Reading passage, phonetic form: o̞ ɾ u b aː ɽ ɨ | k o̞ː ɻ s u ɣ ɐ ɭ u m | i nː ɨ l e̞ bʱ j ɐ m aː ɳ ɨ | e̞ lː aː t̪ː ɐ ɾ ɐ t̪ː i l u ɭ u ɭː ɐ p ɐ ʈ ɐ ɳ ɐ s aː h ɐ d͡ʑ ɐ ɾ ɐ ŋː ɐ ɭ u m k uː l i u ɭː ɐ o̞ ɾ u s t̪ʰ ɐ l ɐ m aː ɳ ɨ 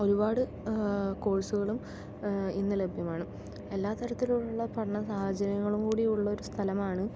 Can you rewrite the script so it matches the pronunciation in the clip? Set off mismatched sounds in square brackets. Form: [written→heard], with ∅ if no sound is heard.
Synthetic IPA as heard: o̞ ɾ u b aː ɽ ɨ | k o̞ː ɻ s u ɣ ɐ ɭ u m | i nː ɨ l e̞ bʱ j ɐ m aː ɳ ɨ | e̞ lː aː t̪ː ɐ ɾ ɐ t̪ː i l u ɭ u ɭː ɐ p ɐ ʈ ɐ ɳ ɐ s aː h ɐ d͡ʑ ɐ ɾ ɐ ŋː ɐ ɭ u m k uː [l→ɽ] i u ɭː ɐ o̞ ɾ u s t̪ʰ ɐ l ɐ m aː ɳ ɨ